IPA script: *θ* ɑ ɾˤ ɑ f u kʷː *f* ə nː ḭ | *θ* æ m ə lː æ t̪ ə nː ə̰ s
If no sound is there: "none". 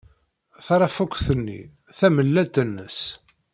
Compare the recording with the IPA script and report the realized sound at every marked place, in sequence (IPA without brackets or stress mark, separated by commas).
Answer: θ, θ, θ